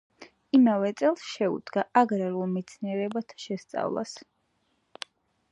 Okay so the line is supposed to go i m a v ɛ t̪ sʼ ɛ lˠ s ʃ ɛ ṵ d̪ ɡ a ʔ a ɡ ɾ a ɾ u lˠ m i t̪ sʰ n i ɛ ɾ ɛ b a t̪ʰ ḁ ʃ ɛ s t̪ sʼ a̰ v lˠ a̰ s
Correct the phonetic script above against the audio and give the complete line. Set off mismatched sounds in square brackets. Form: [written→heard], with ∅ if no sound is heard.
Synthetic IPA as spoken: i m a v ɛ t̪ sʼ ɛ lˠ s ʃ ɛ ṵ d̪ ɡ a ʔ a ɡ ɾ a ɾ u lˠ m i t̪ sʰ n i ɛ ɾ ɛ b a t̪ʰ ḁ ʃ ɛ s t̪ sʼ a̰ v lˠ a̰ s

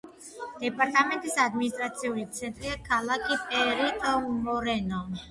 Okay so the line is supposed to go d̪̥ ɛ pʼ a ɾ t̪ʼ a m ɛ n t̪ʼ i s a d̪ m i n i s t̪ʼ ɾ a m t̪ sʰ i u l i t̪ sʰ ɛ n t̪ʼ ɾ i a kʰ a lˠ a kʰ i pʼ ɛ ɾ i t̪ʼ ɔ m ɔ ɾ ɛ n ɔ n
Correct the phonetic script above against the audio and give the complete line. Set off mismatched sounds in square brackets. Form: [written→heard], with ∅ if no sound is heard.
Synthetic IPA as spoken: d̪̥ ɛ pʼ a ɾ t̪ʼ a m ɛ n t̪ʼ i s a d̪ m i n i s t̪ʼ ɾ a [m→∅] t̪ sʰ i u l i t̪ sʰ ɛ n t̪ʼ ɾ i a kʰ a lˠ a kʰ i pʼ ɛ ɾ i t̪ʼ ɔ m ɔ ɾ ɛ n ɔ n

